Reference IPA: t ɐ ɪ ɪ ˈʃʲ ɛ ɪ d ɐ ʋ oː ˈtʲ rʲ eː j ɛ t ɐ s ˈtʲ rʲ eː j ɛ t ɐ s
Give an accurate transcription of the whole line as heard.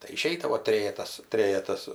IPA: t ɐ ɪ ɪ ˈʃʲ ɛ ɪ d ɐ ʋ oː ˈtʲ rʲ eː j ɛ t ɐ s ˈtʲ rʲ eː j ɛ t ɐ s